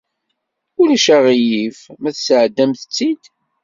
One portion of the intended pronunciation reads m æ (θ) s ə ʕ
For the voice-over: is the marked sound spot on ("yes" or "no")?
yes